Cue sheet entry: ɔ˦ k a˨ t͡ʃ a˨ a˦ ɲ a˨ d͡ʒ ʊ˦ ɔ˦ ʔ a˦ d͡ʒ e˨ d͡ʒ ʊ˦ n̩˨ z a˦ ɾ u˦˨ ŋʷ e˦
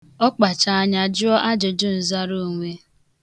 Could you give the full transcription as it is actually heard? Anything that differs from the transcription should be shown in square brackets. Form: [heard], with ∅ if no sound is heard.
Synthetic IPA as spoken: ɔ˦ [k͡p] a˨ t͡ʃ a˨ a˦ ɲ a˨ d͡ʒ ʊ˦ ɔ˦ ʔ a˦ d͡ʒ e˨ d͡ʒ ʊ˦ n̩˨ z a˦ ɾ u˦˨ ŋʷ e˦